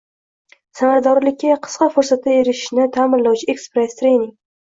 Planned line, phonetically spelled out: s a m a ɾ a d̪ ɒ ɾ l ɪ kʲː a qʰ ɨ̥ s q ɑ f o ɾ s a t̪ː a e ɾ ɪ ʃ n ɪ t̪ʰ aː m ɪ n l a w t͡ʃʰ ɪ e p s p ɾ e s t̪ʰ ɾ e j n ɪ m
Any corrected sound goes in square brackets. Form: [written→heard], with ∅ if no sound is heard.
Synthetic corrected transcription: s a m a ɾ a d̪ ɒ ɾ l ɪ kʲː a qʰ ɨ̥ s q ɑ f o ɾ s a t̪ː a e ɾ ɪ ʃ n ɪ t̪ʰ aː m ɪ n l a w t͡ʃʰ ɪ e [p→k] s p ɾ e s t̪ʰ ɾ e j n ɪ [m→ŋ]